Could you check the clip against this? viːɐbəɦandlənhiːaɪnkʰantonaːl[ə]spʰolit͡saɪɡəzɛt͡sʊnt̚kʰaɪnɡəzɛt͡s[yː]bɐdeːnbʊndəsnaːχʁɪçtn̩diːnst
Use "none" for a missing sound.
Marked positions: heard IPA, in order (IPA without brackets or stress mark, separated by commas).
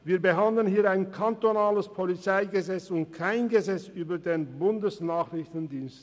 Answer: ə, yː